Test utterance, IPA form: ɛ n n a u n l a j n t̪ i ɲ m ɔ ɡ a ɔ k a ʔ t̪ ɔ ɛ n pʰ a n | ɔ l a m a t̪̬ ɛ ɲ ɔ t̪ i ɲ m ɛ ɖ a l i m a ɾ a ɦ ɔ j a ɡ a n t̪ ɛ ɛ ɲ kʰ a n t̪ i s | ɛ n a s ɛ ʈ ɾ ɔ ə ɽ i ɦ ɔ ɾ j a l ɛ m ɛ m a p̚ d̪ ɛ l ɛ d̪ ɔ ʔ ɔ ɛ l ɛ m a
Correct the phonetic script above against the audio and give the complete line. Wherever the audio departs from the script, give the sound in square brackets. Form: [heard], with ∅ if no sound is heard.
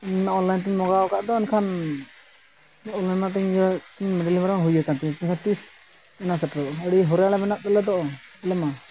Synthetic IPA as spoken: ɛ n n a [ɔ] n l a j n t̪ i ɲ m ɔ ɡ a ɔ k a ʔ [d̪] ɔ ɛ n [kʰ] a n | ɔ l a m a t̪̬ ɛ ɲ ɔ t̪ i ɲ m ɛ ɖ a l i m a ɾ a ɦ [u] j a [k] a n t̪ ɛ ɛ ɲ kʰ a n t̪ i s | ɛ n a s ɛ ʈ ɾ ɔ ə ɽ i ɦ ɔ ɾ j a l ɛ m ɛ [n] a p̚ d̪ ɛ l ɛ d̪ ɔ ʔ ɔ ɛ l ɛ m a

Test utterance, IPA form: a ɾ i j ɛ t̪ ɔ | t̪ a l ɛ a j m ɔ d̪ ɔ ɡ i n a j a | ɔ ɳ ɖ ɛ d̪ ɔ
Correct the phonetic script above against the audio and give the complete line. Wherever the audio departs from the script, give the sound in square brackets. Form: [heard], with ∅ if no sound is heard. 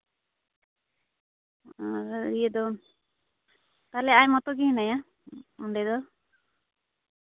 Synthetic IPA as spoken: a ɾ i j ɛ [d̪] ɔ | t̪ a l ɛ a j m ɔ [t̪] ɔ ɡ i n a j a | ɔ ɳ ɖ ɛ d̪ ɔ

